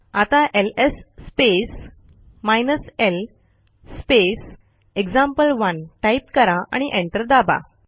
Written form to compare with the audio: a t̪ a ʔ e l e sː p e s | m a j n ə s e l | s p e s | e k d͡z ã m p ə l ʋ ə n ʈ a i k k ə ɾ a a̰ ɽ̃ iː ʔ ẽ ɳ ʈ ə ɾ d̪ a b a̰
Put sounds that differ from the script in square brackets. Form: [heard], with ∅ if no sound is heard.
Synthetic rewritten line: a t̪ a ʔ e l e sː p e s | m a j n ə s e l | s p e s | e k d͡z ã m p ə l ʋ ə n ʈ a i [p] k ə ɾ a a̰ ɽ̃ [i] ʔ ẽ ɳ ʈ ə ɾ d̪ a b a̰